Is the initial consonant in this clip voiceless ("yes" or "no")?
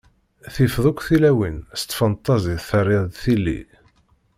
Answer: yes